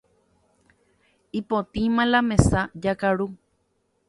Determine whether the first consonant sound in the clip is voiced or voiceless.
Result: voiceless